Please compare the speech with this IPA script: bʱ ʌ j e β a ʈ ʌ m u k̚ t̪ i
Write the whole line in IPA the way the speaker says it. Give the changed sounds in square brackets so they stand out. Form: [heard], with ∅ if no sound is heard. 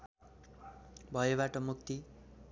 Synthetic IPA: bʱ ʌ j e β a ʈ ʌ m u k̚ t̪ i

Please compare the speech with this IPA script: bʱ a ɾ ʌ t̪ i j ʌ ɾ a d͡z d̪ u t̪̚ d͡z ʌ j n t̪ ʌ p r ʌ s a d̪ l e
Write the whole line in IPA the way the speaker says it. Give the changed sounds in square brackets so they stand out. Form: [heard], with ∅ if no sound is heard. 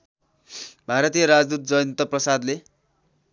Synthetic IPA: bʱ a ɾ ʌ t̪ i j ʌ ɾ a d͡z d̪ u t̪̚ d͡z ʌ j n t̪ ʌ p r ʌ s a d̪ l e

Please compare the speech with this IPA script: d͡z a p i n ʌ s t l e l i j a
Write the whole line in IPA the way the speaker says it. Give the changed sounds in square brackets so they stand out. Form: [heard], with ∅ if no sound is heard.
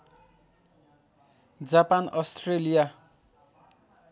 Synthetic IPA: d͡z a p [a] n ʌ s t [r] e l i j a

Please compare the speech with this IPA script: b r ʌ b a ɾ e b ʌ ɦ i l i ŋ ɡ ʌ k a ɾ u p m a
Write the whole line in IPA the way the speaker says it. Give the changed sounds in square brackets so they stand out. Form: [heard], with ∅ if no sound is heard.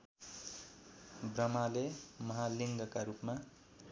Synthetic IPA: b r ʌ [m] a [l] e [m] ʌ ɦ [a] l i ŋ ɡ ʌ k a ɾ u p m a

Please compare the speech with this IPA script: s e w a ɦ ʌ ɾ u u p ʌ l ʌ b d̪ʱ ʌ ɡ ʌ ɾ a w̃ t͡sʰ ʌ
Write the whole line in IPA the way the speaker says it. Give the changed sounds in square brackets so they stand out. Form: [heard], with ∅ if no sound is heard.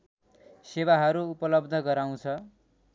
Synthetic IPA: s e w a ɦ ʌ ɾ u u p ʌ l ʌ b d̪ʱ ʌ ɡ ʌ ɾ a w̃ t͡sʰ ʌ

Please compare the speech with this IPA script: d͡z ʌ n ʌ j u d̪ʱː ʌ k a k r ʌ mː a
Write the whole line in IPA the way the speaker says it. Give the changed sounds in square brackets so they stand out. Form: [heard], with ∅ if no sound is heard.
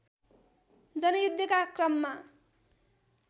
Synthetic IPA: d͡z ʌ n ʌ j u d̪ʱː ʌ k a k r ʌ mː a

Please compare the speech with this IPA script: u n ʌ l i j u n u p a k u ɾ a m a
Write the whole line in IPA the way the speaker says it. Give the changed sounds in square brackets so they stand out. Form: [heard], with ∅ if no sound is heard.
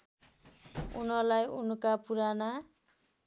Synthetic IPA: u n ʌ l [a] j u n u [k] a [p] u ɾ a [n] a

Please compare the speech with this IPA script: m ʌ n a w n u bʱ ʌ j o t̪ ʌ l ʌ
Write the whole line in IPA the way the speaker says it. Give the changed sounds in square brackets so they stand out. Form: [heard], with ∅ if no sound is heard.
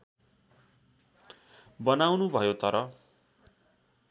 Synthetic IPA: [b] ʌ n a w n u bʱ ʌ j o t̪ ʌ [ɾ] ʌ

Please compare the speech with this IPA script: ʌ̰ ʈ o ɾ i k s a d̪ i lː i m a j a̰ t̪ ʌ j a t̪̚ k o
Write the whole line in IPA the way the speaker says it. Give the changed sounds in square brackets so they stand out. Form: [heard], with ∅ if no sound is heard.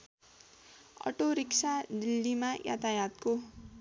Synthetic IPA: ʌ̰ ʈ o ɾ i k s a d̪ i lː i m a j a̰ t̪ [a] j a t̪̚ k o

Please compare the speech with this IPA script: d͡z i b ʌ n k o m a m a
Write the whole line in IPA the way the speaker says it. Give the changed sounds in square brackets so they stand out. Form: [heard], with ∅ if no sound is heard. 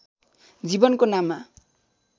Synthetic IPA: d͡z i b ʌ n k o [n] a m a

